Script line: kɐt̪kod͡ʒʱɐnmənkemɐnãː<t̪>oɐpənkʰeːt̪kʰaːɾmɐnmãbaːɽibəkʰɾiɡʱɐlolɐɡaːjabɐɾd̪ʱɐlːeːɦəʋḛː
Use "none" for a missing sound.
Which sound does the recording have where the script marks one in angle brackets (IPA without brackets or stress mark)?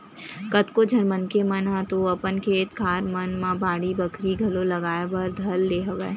t̪